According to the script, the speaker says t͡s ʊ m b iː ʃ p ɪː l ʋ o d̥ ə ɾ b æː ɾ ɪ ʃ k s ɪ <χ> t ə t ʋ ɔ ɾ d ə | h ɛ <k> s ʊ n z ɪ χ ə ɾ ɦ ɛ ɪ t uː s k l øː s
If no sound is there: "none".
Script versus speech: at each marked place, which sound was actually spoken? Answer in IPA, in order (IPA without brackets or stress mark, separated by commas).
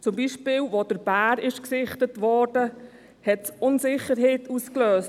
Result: χ, t